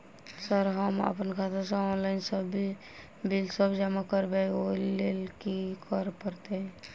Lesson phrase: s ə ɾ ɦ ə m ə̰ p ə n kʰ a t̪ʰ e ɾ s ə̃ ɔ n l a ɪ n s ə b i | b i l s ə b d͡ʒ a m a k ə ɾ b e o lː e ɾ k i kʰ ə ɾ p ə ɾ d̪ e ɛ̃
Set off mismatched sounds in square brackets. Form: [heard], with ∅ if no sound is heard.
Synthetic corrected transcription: s ə ɾ ɦ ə m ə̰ p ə n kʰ a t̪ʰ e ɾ s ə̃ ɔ n l a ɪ n s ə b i | b i l s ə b d͡ʒ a m a k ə ɾ b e o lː e [l] k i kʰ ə ɾ p ə ɾ [t̪] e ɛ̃